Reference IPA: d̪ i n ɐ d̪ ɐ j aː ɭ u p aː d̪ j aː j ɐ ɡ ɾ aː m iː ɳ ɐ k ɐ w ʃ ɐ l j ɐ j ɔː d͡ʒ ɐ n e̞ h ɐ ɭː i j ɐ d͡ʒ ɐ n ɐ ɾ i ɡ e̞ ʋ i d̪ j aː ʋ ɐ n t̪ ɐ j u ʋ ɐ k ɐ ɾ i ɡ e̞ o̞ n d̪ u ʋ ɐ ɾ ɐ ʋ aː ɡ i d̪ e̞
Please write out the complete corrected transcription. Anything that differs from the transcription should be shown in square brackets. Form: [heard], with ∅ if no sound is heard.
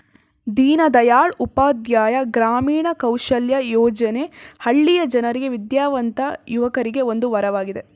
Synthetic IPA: d̪ [iː] n ɐ d̪ ɐ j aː ɭ u p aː d̪ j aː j ɐ ɡ ɾ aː m iː ɳ ɐ k ɐ w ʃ ɐ l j ɐ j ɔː d͡ʒ ɐ n e̞ h ɐ ɭː i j ɐ d͡ʒ ɐ n ɐ ɾ i ɡ e̞ ʋ i d̪ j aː ʋ ɐ n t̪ ɐ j u ʋ ɐ k ɐ ɾ i ɡ e̞ o̞ n d̪ u ʋ ɐ ɾ ɐ ʋ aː ɡ i d̪ e̞

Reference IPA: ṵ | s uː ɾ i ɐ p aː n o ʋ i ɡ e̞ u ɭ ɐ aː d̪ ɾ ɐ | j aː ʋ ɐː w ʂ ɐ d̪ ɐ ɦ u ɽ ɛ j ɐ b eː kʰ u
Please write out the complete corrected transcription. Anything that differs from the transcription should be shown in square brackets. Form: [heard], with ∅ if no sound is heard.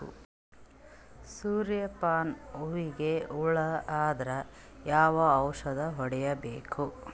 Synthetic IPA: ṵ | s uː ɾ [j] ɐ p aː n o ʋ i ɡ e̞ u ɭ ɐ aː d̪ ɾ ɐ | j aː ʋ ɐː w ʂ ɐ d̪ ɐ ɦ [ɔ] ɽ ɛ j ɐ b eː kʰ u

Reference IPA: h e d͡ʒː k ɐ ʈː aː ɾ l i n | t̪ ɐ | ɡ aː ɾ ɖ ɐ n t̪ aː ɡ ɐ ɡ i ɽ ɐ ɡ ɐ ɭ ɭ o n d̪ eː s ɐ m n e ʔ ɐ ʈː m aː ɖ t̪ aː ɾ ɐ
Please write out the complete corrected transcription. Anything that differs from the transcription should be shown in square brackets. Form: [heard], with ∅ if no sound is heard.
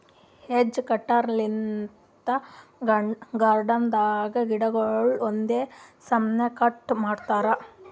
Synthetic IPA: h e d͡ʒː k ɐ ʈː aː ɾ l i n | t̪ ɐ | ɡ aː ɾ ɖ ɐ n [d̪] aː ɡ ɐ ɡ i ɽ ɐ ɡ ɐ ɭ ɭ o n d̪ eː s ɐ m n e [k] ɐ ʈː m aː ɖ t̪ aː ɾ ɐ

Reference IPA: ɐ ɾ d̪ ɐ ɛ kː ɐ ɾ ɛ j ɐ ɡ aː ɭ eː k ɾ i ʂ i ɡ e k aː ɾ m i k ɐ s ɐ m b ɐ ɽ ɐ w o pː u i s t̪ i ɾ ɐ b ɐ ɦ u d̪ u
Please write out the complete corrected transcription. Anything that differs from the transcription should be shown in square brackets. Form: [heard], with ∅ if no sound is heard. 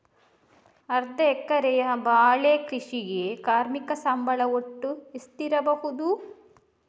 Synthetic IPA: ɐ ɾ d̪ ɐ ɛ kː ɐ ɾ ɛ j ɐ [b] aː ɭ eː k ɾ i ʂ i ɡ e k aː ɾ m i k ɐ s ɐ m b ɐ [ɭ] ɐ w o [ʈː] u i s t̪ i ɾ ɐ b ɐ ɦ u d̪ u

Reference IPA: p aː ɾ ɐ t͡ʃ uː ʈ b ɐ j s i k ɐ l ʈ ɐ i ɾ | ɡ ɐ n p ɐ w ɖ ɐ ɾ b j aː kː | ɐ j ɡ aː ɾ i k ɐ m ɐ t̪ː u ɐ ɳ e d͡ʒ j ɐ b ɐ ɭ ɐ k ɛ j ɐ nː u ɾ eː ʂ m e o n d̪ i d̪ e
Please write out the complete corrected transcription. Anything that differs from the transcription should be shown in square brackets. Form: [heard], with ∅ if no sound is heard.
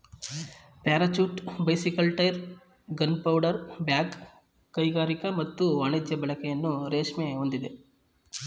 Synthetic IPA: p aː ɾ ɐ t͡ʃ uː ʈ b ɐ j s i k ɐ l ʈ ɐ [j] ɾ | ɡ ɐ n p ɐ w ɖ ɐ ɾ b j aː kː | ɐ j ɡ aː ɾ i k ɐ m ɐ t̪ː u ɐ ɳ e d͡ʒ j ɐ b ɐ ɭ ɐ k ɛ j ɐ nː u ɾ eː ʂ m e o n d̪ i d̪ e

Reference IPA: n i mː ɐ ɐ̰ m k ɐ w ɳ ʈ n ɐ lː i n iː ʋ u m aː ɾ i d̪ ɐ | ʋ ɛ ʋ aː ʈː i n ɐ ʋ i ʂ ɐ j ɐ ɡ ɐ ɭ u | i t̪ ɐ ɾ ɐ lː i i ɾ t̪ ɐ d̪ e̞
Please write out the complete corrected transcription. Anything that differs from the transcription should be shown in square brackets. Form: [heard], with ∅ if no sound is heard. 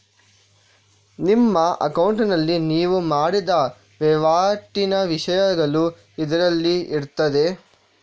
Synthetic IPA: n i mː ɐ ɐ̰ [∅] k ɐ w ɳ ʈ n ɐ lː i n iː ʋ u m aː [ɽ] i d̪ ɐ | ʋ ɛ ʋ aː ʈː i n ɐ ʋ i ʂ ɐ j ɐ ɡ ɐ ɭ u | i [d̪] ɐ ɾ ɐ lː i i ɾ t̪ ɐ d̪ e̞

